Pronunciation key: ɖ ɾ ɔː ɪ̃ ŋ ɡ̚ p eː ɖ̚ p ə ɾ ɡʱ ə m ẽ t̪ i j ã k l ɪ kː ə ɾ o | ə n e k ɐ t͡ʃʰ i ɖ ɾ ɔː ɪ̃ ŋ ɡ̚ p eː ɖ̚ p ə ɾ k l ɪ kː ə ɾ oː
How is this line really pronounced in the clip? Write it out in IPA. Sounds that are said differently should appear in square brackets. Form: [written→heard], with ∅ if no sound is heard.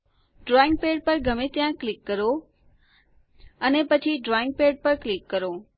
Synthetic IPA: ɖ ɾ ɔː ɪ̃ ŋ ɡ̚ p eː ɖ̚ p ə ɾ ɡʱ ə m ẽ t̪ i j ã k l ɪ kː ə ɾ o | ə n e [k→p] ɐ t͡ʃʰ i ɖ ɾ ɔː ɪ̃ ŋ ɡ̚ p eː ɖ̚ p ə ɾ k l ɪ kː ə ɾ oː